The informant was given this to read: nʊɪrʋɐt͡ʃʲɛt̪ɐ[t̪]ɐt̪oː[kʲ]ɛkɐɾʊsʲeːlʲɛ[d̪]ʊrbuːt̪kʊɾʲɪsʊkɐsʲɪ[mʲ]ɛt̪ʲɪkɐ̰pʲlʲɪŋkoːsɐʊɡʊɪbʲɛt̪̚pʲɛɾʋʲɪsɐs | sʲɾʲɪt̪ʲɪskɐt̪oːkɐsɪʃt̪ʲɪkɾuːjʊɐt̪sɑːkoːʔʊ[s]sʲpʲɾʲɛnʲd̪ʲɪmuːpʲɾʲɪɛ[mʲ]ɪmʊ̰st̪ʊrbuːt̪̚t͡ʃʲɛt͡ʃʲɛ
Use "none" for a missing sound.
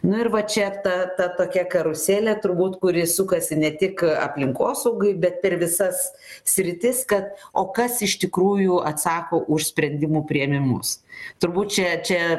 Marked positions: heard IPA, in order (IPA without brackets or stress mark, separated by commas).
t̪, kʲ, t̪, nʲ, ʃ, mʲ